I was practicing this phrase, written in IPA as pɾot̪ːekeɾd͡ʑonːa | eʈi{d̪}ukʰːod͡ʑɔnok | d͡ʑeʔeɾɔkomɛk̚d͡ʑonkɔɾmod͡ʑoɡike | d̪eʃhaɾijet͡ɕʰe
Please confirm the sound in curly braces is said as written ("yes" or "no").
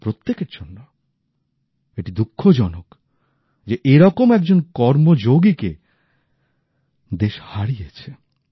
yes